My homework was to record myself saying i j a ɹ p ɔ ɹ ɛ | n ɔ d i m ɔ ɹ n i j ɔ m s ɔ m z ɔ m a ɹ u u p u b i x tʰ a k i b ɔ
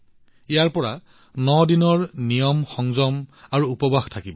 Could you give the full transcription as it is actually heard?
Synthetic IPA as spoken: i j a ɹ p ɔ ɹ a | n ɔ d i n ɔ ɹ n i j ɔ m x ɔ ŋ z ɔ m a ɹ u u p ɔ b a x tʰ a k i b ɔ